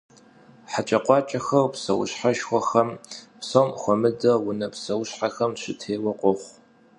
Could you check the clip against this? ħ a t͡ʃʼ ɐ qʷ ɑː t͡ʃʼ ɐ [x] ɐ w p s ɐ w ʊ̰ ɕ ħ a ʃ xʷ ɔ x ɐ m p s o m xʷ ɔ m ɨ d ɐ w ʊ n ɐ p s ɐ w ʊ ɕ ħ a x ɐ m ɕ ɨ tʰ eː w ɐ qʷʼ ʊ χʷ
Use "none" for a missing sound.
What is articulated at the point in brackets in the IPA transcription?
x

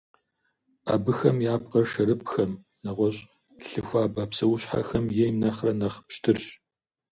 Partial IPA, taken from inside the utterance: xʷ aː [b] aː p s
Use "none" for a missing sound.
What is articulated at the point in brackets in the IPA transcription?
b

